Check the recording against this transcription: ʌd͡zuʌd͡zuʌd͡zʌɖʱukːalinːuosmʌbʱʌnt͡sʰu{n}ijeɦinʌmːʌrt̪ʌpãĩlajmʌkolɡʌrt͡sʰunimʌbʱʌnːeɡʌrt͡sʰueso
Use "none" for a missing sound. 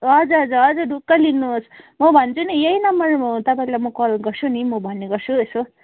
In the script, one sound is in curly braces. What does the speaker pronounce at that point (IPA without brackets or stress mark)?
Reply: n